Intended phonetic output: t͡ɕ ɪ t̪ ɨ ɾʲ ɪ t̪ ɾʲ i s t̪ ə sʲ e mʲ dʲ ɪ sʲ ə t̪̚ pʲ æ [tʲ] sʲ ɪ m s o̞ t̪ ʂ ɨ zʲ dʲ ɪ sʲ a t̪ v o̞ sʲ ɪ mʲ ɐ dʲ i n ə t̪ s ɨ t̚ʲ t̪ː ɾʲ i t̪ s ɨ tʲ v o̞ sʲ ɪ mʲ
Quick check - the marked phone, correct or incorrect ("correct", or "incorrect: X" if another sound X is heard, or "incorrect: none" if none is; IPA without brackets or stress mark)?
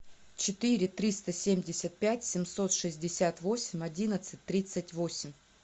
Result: correct